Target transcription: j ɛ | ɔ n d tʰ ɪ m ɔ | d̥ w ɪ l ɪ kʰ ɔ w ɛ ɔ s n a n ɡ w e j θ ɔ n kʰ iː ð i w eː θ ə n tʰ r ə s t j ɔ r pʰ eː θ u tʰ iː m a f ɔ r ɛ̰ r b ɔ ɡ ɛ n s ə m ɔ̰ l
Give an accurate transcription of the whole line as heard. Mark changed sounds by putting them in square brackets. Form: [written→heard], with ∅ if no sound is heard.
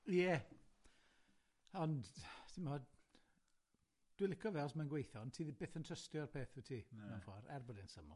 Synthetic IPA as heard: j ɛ | ɔ n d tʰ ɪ m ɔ | d̥ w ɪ l ɪ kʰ ɔ [w→v] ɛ ɔ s [n→m] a n ɡ w e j θ ɔ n [kʰ→tʰ] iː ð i [w→b] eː θ ə n tʰ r ə s t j ɔ r pʰ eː θ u tʰ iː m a f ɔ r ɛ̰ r b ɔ [ɡ→d] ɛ n s ə m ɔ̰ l